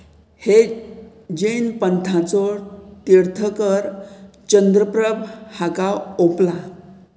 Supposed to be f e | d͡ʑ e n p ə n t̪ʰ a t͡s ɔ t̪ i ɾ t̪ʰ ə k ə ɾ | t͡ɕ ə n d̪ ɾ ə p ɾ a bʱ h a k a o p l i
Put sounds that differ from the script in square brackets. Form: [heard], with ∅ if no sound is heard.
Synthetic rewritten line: [h] e | d͡ʑ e n p ə n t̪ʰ a t͡s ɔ t̪ i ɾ t̪ʰ ə k ə ɾ | t͡ɕ ə n d̪ ɾ ə p ɾ [ə] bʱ h a k a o p l [a]